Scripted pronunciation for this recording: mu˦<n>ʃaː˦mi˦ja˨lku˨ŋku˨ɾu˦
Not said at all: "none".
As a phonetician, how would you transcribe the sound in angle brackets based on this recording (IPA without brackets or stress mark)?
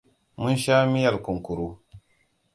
n